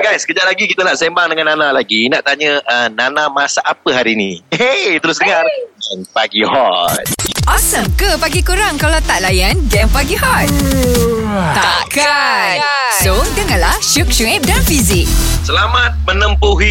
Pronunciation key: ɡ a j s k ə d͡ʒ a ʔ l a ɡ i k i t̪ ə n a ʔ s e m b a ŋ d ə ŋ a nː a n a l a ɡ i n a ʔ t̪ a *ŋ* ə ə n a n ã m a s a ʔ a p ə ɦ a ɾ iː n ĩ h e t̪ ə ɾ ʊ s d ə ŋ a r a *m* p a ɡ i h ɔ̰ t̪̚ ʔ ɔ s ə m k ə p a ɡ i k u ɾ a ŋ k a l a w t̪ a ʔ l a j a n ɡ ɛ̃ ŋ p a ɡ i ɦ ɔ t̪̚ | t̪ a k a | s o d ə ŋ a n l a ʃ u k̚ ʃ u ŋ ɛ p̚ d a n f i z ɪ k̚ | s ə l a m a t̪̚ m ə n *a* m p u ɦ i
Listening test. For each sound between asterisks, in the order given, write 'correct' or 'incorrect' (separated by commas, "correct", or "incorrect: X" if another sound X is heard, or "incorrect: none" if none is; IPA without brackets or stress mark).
incorrect: ɲ, incorrect: n, incorrect: ə